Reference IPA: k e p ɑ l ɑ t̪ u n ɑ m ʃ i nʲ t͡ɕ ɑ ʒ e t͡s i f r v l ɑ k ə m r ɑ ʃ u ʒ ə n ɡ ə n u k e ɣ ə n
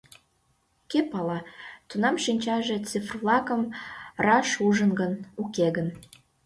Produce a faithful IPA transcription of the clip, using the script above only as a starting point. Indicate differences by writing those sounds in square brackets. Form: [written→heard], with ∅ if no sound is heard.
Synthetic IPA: k e p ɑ l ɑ t̪ u n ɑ m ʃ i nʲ t͡ɕ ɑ ʒ e t͡s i f r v l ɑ k ə m r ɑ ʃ u ʒ ə n ɡ ə n u k e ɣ ə n